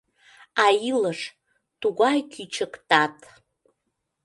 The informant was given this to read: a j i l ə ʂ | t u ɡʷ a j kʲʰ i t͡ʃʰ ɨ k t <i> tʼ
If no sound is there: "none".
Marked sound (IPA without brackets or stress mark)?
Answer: a